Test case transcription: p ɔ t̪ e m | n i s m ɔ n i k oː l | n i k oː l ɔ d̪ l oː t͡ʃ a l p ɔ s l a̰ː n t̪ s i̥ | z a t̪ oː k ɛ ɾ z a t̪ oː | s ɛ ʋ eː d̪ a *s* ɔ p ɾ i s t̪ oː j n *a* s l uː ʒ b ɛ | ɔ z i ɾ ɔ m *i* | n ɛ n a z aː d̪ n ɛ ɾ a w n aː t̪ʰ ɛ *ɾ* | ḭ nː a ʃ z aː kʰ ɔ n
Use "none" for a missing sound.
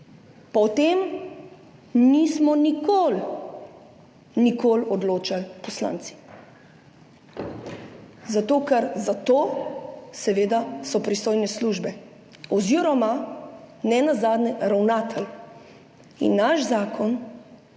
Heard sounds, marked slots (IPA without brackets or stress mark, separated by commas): s, ɛ, a, l